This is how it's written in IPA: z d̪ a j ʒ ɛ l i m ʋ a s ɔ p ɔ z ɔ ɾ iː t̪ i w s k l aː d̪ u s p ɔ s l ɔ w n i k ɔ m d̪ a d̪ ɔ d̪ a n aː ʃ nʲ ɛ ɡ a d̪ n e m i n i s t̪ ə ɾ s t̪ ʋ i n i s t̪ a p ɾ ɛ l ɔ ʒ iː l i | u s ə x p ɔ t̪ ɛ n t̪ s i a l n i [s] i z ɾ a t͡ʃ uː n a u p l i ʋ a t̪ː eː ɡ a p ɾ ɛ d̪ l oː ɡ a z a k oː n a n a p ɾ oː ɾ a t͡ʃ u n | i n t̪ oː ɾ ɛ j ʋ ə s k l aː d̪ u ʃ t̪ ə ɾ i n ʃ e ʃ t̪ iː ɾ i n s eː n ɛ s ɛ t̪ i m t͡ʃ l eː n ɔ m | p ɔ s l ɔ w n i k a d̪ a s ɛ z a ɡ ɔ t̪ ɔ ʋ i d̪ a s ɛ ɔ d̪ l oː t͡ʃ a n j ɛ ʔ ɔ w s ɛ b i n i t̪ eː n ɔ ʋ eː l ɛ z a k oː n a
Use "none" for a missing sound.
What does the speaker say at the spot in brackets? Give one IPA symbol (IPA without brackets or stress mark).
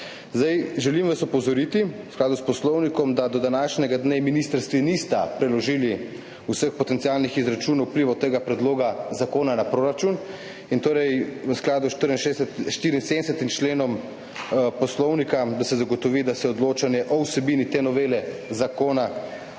x